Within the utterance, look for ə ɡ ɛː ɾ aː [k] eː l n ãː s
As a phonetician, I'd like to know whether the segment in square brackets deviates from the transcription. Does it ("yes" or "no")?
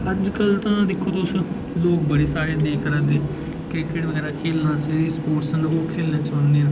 yes